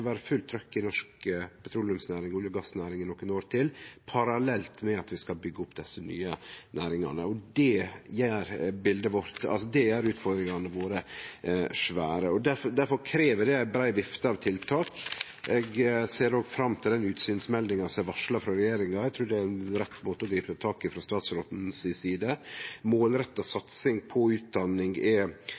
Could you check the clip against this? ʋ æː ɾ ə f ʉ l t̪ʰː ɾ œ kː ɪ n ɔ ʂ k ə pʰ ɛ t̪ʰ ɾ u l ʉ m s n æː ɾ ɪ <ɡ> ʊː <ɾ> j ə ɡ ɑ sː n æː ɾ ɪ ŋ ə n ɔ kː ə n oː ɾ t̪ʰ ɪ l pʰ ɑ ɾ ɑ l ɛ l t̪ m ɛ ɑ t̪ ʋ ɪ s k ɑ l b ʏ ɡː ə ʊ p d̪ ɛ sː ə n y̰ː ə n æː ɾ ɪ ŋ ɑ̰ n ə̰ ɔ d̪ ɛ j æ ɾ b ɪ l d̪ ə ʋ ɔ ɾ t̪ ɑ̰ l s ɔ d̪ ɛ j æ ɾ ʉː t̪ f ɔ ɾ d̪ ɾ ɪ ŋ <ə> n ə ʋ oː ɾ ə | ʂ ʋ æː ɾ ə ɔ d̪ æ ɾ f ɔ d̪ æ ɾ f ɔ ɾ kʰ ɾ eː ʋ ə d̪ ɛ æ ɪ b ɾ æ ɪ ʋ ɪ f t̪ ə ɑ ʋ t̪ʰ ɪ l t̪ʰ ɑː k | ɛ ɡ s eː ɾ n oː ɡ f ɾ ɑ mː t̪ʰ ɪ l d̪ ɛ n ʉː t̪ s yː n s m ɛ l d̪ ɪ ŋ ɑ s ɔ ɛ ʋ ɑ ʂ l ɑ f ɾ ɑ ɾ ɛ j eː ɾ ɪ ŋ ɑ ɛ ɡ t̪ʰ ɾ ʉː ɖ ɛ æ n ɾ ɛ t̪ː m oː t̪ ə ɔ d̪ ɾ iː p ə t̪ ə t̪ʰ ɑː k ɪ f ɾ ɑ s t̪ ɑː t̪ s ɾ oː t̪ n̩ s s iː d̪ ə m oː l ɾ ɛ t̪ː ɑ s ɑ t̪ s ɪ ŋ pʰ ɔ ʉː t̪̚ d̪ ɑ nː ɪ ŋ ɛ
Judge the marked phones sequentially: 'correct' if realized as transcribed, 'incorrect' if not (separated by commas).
incorrect, incorrect, incorrect